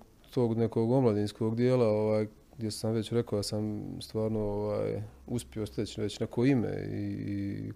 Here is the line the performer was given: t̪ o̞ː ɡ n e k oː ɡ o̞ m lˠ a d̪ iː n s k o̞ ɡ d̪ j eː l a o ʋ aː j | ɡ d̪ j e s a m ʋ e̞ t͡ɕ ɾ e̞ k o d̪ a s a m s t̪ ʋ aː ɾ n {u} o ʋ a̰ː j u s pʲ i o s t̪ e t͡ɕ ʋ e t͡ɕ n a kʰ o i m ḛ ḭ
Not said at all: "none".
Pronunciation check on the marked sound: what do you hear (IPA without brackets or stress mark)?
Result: o